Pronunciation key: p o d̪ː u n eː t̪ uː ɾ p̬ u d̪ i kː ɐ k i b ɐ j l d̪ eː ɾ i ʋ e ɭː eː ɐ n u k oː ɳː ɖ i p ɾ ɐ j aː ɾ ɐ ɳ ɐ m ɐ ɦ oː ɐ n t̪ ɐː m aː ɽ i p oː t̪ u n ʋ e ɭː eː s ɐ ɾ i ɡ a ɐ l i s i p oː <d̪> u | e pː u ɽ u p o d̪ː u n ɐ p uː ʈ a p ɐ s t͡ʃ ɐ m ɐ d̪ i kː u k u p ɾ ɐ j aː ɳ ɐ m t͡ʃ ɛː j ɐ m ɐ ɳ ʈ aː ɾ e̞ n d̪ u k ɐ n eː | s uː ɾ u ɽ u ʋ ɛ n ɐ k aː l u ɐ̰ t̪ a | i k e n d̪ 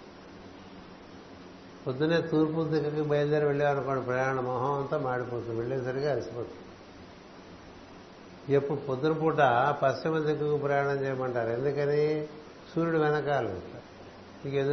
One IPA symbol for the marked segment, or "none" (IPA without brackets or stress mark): t̪